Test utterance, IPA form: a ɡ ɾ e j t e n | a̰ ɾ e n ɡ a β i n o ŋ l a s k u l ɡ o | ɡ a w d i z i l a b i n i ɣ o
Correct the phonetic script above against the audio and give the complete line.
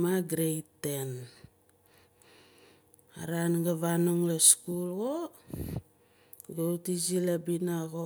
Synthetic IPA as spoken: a ɡ ɾ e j t e n | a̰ ɾ a n ɡ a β a n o ŋ l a s k u l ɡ o | ɡ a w t i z i l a b i n a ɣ o